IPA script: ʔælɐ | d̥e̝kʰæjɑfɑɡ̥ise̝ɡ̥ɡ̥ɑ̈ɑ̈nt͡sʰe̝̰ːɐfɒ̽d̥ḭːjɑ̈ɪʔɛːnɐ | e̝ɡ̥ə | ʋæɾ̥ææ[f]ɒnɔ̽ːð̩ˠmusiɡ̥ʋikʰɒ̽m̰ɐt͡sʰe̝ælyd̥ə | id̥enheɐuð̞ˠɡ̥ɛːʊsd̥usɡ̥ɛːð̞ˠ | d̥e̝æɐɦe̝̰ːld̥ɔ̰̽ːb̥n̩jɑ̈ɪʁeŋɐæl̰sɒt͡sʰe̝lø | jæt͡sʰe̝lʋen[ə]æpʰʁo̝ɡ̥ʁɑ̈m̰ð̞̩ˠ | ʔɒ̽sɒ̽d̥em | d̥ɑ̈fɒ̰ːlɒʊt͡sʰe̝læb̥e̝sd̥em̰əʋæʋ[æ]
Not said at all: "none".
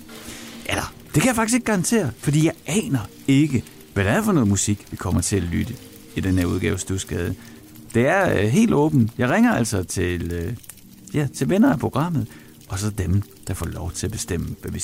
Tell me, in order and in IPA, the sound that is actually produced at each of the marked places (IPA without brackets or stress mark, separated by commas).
f, ɐ, i